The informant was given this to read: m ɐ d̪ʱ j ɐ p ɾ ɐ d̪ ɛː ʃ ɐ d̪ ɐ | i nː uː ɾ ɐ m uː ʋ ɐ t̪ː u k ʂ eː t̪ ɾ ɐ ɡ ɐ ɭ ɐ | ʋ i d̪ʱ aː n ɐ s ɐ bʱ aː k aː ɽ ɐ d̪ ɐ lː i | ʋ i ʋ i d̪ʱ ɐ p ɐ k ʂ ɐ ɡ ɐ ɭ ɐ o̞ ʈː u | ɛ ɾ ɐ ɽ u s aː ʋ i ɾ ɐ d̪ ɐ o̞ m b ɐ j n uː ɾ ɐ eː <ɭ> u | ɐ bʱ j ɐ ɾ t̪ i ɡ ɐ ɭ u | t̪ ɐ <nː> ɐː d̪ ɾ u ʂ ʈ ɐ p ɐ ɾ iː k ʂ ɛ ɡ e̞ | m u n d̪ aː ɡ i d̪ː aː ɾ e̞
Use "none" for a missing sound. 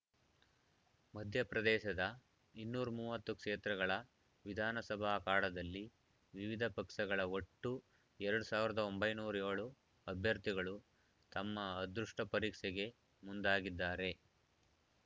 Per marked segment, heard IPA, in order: ɭ, mː

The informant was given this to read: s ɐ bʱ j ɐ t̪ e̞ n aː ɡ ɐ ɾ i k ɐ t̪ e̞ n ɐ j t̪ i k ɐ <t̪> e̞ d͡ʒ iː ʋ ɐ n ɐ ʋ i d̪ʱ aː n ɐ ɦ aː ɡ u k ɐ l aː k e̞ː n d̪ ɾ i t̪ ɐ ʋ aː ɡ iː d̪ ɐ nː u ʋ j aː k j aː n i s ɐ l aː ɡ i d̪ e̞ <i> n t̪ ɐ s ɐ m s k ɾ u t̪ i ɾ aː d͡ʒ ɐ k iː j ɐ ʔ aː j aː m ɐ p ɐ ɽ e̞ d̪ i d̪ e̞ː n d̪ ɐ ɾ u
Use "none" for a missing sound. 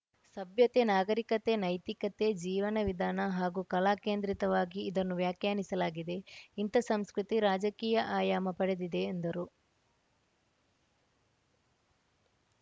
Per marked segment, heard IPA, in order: t̪, i

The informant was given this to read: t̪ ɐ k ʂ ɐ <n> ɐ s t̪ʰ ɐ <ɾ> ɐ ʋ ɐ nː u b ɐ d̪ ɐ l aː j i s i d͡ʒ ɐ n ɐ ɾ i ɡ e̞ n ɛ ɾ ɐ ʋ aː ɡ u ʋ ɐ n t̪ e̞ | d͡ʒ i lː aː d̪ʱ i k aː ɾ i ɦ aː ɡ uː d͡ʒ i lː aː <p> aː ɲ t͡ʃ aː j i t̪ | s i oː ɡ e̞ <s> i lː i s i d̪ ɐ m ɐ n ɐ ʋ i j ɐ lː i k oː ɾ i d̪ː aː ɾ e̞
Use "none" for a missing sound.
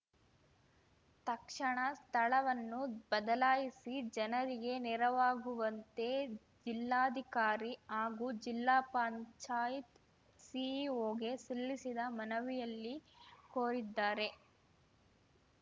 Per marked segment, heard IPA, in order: ɳ, ɭ, p, s

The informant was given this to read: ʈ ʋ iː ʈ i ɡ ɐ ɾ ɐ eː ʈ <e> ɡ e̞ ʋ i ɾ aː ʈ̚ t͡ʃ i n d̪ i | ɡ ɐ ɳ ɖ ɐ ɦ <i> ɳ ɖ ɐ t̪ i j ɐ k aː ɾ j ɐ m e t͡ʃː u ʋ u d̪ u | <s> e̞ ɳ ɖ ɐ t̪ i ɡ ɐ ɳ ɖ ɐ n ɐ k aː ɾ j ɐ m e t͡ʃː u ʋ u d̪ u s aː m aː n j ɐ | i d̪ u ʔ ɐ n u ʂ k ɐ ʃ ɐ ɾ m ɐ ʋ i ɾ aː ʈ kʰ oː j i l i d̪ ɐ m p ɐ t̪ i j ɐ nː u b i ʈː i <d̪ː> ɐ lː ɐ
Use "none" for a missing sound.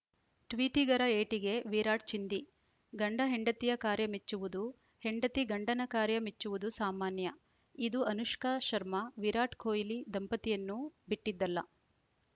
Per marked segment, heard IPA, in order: i, e, h, d̪ː

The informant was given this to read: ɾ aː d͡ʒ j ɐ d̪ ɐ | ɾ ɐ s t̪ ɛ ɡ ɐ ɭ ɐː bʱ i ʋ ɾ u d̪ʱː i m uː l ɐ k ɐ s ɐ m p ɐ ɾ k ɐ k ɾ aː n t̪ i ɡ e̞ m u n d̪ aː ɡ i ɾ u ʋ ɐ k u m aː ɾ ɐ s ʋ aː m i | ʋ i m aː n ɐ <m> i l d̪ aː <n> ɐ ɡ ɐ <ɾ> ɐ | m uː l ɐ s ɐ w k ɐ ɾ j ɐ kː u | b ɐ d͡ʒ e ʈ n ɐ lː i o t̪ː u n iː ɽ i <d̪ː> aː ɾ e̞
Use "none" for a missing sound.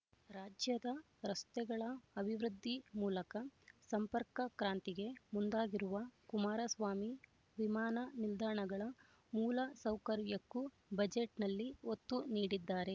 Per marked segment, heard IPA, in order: n, ɳ, ɭ, d̪ː

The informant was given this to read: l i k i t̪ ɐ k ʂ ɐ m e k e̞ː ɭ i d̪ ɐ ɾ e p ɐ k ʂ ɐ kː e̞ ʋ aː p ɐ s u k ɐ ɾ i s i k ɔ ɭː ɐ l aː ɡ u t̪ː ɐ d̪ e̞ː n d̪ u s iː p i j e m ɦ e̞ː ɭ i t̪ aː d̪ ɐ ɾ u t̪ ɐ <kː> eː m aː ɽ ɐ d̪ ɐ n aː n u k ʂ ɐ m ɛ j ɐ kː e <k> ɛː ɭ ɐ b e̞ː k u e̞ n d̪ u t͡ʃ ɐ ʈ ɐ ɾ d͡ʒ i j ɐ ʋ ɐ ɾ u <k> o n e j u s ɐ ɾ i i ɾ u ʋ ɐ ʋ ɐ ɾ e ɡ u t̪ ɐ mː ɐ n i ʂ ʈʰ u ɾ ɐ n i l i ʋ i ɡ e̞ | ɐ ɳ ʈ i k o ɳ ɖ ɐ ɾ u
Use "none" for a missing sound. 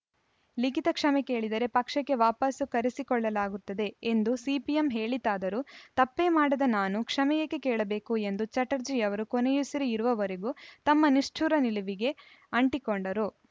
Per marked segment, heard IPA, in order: pː, k, k

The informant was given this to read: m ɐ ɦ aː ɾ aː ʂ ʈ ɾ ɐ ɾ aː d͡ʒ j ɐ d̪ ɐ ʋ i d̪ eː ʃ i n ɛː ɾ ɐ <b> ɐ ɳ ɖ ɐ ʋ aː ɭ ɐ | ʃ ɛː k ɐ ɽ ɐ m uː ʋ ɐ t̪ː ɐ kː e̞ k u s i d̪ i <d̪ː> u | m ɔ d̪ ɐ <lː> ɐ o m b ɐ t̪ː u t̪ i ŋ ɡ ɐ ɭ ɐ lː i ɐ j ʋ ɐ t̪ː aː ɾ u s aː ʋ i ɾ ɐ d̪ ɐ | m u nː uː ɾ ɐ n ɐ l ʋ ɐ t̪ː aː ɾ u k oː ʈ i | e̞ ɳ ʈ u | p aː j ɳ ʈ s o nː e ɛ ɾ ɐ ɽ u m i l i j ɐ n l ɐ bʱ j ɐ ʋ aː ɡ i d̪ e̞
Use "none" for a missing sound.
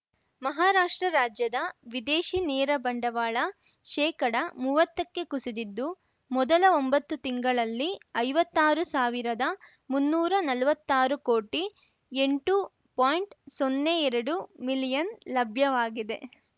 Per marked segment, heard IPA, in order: b, d̪ː, l

